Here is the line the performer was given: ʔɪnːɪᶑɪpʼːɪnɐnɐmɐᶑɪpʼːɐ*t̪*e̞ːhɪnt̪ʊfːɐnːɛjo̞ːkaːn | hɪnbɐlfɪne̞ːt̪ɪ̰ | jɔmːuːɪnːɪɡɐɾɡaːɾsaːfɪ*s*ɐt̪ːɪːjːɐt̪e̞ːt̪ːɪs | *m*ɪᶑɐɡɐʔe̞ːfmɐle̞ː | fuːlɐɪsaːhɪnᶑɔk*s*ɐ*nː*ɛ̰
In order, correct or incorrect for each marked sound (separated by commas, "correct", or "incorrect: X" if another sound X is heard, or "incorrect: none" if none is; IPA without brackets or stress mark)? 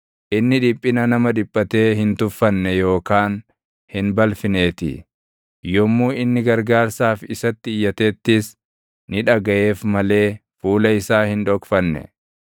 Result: correct, correct, incorrect: n, incorrect: f, correct